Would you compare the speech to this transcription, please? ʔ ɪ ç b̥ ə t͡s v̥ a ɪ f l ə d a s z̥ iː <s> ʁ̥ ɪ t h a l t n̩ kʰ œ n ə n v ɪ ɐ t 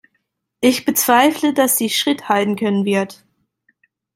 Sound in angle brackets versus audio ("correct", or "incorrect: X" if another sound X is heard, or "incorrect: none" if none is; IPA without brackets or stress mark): incorrect: ʃ